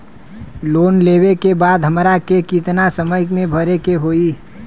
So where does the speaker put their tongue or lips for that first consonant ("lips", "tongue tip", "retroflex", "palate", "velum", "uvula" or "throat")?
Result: tongue tip